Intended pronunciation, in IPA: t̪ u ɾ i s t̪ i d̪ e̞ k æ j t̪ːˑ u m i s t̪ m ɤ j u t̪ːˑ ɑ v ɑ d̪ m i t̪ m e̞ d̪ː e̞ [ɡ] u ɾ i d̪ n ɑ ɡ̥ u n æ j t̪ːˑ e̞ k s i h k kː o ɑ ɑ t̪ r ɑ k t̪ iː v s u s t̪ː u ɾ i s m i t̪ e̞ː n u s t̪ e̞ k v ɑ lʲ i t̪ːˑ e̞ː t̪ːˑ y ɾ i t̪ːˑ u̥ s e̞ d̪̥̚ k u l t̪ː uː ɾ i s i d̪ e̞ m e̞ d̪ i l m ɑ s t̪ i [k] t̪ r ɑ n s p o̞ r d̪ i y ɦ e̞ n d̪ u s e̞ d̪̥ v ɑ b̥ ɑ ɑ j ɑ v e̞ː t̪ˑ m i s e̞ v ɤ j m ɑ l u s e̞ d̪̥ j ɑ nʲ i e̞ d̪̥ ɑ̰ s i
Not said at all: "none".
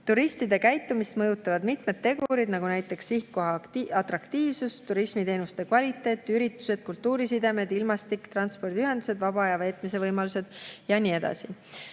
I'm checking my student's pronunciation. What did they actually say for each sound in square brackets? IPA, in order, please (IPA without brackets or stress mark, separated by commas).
ɡ, k